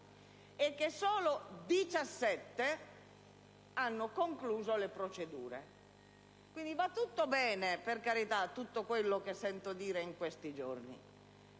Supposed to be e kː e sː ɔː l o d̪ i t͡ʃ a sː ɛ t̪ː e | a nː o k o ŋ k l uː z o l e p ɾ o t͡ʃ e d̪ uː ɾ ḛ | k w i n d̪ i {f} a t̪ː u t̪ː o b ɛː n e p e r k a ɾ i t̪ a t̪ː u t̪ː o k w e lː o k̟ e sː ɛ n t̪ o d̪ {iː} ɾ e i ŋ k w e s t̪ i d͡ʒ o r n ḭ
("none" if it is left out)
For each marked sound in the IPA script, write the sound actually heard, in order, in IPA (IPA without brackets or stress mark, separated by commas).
v, iː